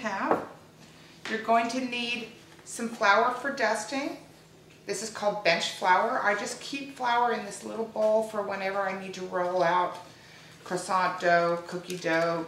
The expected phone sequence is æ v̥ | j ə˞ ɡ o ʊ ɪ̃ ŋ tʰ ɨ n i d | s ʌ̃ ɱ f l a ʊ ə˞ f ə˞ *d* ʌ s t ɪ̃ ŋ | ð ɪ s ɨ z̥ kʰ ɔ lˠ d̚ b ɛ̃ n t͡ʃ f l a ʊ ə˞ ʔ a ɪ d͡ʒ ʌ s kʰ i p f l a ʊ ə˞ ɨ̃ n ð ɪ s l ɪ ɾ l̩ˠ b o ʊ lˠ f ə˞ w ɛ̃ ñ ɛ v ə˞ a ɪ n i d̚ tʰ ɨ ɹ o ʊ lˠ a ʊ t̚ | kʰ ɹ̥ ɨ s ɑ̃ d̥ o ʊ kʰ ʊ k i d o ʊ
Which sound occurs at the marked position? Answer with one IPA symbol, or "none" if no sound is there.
d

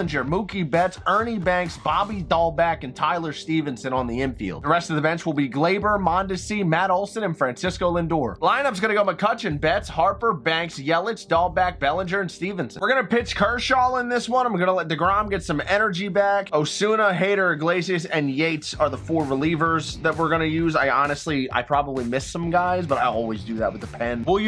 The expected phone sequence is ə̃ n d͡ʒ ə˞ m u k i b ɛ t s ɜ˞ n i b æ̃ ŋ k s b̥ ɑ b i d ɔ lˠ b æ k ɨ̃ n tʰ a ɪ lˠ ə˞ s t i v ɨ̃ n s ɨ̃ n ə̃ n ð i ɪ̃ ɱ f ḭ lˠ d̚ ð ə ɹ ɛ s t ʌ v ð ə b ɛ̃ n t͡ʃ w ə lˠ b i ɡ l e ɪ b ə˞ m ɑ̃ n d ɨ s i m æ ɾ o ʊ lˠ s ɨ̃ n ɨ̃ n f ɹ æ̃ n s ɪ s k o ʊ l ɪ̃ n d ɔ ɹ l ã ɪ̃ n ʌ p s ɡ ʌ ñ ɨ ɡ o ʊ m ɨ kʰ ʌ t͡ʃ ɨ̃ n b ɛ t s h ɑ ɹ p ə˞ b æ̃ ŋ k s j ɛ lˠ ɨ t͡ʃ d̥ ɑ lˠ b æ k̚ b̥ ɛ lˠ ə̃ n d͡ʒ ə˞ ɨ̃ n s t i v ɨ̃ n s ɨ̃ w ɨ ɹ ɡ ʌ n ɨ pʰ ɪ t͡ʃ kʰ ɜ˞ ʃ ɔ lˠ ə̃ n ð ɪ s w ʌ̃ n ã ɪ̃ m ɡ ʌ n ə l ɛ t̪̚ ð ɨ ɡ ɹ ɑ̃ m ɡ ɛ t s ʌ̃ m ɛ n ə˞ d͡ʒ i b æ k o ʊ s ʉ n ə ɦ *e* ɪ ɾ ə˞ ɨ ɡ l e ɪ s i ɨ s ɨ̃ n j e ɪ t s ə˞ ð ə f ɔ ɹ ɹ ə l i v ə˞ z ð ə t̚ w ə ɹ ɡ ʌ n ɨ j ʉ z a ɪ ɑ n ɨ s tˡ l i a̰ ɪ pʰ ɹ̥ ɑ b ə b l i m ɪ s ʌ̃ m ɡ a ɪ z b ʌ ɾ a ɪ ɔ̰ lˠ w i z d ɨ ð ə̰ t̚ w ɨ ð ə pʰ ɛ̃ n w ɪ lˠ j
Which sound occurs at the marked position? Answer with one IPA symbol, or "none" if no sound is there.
e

